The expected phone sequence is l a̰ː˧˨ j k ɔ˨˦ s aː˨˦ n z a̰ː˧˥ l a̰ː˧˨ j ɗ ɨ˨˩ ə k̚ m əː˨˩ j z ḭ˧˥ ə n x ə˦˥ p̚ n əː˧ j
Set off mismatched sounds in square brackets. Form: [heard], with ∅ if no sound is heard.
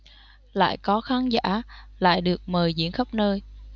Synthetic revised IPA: l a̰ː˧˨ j k ɔ˨˦ [x] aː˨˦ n z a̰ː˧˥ l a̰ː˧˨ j ɗ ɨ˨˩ ə k̚ m əː˨˩ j z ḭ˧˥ ə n x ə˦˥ p̚ n əː˧ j